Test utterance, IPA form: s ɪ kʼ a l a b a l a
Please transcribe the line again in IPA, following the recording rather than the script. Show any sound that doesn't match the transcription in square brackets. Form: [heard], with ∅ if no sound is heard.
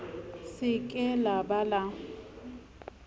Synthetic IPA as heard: s ɪ kʼ [ɛ] l a b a l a